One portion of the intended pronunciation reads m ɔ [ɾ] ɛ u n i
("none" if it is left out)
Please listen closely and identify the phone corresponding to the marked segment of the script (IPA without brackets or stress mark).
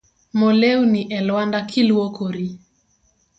l